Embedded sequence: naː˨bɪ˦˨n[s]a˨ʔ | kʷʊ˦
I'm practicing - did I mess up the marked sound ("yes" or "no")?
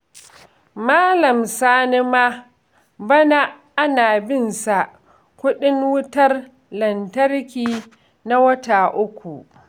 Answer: no